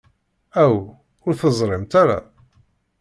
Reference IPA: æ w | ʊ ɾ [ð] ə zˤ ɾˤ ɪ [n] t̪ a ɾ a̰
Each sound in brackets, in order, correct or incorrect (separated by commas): incorrect, incorrect